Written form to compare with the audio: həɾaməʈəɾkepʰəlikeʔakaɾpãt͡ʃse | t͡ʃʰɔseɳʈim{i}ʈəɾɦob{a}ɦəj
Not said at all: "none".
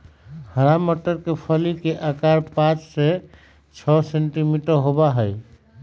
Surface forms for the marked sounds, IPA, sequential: i, a

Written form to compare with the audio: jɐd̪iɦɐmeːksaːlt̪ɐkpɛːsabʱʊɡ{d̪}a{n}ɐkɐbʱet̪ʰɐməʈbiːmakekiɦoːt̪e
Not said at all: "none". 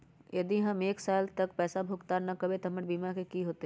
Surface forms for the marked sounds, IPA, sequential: t̪, n

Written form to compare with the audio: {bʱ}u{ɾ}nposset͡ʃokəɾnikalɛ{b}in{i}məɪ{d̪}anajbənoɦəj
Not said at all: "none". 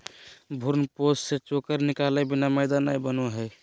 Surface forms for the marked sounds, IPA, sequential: bʱ, ɾ, b, a, d̪

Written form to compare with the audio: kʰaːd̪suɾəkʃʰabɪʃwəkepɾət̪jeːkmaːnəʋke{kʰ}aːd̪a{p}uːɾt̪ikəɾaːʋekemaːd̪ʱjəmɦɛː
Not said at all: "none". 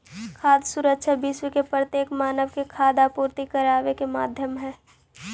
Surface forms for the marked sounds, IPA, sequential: kʰ, p

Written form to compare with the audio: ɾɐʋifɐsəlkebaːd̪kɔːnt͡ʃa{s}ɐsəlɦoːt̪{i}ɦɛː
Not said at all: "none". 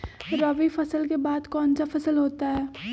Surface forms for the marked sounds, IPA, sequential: f, a

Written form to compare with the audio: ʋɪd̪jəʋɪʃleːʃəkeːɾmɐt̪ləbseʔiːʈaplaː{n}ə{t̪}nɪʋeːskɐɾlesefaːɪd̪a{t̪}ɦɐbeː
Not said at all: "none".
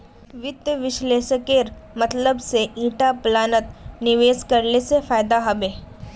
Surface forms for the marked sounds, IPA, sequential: n, t̪, none

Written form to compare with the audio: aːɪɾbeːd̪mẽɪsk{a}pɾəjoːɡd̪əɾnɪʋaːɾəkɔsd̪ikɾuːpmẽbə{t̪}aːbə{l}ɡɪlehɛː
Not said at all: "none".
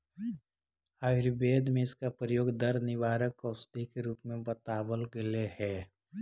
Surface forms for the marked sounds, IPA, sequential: a, t̪, l

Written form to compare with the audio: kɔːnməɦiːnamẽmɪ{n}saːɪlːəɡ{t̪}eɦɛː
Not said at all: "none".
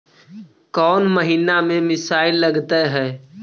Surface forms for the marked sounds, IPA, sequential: none, t̪

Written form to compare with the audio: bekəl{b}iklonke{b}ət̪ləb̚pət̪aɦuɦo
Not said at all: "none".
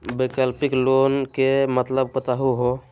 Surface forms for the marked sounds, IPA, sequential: p, m

